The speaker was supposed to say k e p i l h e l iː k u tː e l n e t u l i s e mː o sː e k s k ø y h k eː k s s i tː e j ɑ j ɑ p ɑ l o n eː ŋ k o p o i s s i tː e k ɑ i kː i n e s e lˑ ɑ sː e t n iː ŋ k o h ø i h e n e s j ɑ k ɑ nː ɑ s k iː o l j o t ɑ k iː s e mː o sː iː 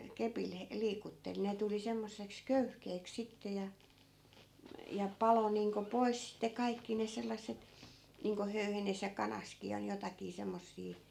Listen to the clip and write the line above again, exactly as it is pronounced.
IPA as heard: k e p i l h e l iː k u tː e l n e t u l i s e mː o sː e k s k ø y h k eː k s s i tː e j ɑ j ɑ p ɑ l o n iː ŋ k o p o i s s i tː e k ɑ i kː i n e s e lˑ ɑ sː e t n iː ŋ k o h ø y h e n e s j ɑ k ɑ n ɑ s k iː o l j o t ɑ k iː s e mː o sː iː

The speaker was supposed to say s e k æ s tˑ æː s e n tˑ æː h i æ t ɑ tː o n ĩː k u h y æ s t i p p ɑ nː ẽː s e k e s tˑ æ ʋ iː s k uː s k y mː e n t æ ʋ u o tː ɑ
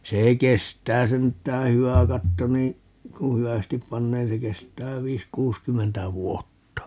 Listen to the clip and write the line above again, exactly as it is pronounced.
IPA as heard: s e k e s tˑ æː s e n tˑ æː h y æ k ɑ tː o n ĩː k u h y æ s t i p p ɑ nː eː s e k e s tˑ æː ʋ iː s k uː s k y mː e n t æ ʋ u o tː ɑ

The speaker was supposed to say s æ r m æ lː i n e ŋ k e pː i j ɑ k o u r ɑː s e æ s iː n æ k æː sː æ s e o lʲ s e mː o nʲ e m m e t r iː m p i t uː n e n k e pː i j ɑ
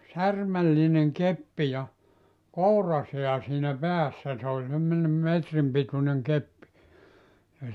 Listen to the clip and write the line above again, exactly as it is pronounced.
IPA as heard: s æ r m æ lː i n e ŋ k e pː i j ɑ k o u r ɑ s e æ s iː n æ p æː sː æ s e o lʲ s e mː o nʲ e m m e t r i m p i t u n e ŋ k e pː i j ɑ

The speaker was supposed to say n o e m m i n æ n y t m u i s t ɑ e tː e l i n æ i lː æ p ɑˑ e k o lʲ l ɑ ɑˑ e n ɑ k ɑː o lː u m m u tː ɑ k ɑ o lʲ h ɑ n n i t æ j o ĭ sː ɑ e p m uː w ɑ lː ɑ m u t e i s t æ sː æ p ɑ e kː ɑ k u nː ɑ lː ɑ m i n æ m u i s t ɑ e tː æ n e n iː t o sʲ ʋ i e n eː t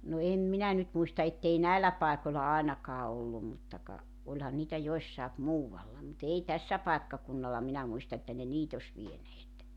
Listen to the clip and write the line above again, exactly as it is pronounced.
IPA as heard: n o e m m i n æ n y t m u i s t ɑ e tː e i n æ i lː æ p ɑˑ e k o lʲ l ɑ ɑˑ e n ɑ k ɑː o lː u m m u tː ɑ k ɑ o lʲ h ɑ n n iː t æ j o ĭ sː ɑ e p m uː w ɑ lː ɑ m u t e i t æ sː æ p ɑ e kː ɑ k u nː ɑ lː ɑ m i n æ m u i s t ɑ e tː æ n e n iː t o sʲ ʋ i e n eː t

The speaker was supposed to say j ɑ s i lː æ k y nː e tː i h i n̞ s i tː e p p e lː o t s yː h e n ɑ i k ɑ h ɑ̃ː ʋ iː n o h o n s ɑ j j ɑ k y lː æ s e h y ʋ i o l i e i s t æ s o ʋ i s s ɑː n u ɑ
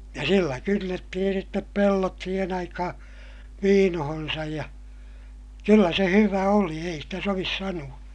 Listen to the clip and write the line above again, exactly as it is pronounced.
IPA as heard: j ɑ s i lː æ k y nː e tː i h i n̞ s i tː e p p e lː o t s iː h e n ɑ i k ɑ h ɑ̃ː ʋ iː n o h o n s ɑ j j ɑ k y lː æ s e h y ʋ æ o l i e i s t æ s o ʋ i s s ɑ n u ɑ

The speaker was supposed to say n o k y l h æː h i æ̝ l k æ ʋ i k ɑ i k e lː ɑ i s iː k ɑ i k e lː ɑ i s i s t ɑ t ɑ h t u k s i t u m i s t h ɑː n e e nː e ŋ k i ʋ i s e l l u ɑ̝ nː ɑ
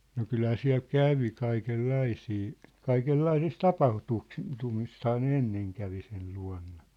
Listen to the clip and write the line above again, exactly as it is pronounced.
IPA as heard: n o k y l h æː s i æ̝ l k æ ʋ i k ɑ i k e lː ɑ i s iː k ɑ i k e lː ɑ i s i s t ɑ p ɑ h t u k s i t u m i s t h ɑː n e e nː e ŋ k æ ʋ i s e l l u ɑ̝ nː ɑ

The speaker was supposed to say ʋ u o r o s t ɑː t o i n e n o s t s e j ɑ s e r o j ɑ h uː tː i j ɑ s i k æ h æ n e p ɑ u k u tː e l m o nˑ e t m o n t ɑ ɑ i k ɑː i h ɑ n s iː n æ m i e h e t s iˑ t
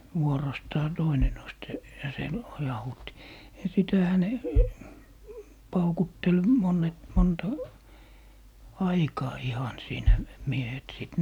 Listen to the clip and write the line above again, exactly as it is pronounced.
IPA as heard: ʋ u o r o s t ɑː t o i n e n o s t s e j ɑ s e l o j ɑ h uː tː i j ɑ s i t æ h æ n e p ɑ u k u tː e l m o nˑ e t m o n t ɑ ɑ i k ɑː i h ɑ n s iː n æ m i e h e t s iˑ t

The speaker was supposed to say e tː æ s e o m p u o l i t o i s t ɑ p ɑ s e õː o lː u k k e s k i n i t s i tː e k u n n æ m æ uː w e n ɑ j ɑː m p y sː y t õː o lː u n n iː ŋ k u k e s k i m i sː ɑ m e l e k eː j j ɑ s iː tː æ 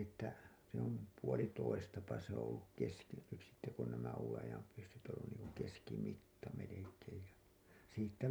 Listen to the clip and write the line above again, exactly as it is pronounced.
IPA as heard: e tː æ s e o m p u o l i t o i s t ɑ p ɑ s e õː o lː u k k e s k i n y t s i tː e k u n n æ m æ uː w e n ɑ j ɑ m p y sː y t õː o lː u n n iː ŋ k u k e s k i m i tː ɑ m e l e k eː j j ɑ s iː tː æ

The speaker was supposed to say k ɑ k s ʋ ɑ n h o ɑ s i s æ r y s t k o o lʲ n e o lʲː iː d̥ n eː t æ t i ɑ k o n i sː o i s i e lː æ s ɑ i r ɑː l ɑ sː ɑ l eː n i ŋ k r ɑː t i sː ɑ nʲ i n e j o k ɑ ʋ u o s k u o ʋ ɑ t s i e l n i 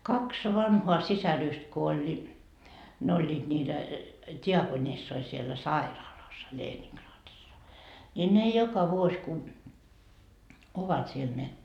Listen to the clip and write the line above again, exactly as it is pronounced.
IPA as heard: k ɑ k s ʋ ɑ n h o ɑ s i s æ r y s t k o o lʲ n e o lʲː iː d̥ n iː t æ t i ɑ k o n i sː o i s i e lː æ s ɑ i r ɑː l ɑ sː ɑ l eː n i ŋ k r ɑː t i sː ɑ nʲ i n e j o k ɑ ʋ u o s k u o ʋ ɑ t s i e l n e

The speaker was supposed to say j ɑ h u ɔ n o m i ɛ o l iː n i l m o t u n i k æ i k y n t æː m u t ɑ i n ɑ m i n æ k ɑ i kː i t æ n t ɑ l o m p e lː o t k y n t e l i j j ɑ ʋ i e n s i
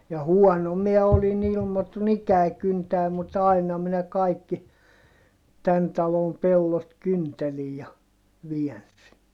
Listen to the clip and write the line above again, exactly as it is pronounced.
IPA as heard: j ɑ h u ɔ n o m i ɛ o l i n i l m o t u n i k æ i k y n t æː m u t ɑ i n ɑ m i n æ k ɑ i kː i t æ n t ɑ l o m p e lː o t k y n t e l i j j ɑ ʋ i ɛ n s i

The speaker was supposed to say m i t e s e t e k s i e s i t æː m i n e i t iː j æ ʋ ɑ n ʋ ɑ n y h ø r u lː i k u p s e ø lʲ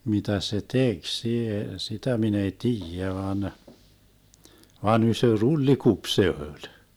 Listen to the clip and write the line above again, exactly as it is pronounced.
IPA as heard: m i t æ s e t e k s i e s i t æ m i n e i t iː j æ ʋ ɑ n ʋ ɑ n y s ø r u lː i k u p s e ø lʲ

